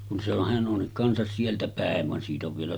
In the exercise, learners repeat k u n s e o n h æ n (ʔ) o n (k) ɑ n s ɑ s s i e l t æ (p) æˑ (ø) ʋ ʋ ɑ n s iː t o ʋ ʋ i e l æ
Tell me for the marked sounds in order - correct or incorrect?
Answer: correct, correct, correct, incorrect: e

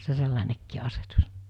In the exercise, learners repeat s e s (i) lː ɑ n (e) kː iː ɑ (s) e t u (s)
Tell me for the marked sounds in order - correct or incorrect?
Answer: incorrect: e, correct, correct, correct

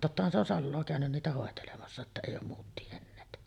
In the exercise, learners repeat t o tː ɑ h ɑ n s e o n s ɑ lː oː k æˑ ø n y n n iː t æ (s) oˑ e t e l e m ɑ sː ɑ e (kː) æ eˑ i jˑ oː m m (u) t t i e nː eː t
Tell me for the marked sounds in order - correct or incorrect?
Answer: incorrect: h, incorrect: tː, incorrect: uː

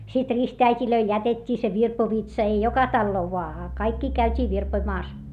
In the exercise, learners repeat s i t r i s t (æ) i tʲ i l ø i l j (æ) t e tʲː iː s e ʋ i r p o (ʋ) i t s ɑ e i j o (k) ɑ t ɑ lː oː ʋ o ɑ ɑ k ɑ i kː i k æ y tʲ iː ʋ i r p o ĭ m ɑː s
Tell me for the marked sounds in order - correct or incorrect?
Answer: correct, correct, correct, correct

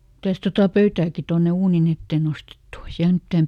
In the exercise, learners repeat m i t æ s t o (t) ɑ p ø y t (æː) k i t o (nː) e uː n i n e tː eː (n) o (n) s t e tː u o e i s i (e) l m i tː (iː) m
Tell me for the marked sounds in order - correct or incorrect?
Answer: correct, correct, correct, correct, incorrect: none, incorrect: æ, incorrect: æː

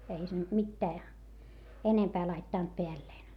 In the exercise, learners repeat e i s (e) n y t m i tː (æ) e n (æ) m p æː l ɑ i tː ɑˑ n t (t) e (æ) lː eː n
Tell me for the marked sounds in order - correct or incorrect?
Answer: correct, incorrect: æː, incorrect: e, incorrect: p, correct

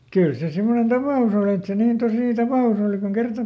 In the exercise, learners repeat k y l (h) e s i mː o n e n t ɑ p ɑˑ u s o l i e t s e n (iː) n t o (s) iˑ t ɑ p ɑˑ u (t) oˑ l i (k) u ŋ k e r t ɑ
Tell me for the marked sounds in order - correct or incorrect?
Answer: incorrect: s, correct, correct, incorrect: s, correct

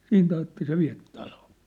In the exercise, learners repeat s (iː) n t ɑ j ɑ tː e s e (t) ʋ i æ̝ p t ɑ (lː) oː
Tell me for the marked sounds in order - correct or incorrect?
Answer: correct, incorrect: none, incorrect: l

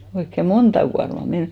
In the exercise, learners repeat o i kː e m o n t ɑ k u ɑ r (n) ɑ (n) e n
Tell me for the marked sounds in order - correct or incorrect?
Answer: incorrect: m, incorrect: m

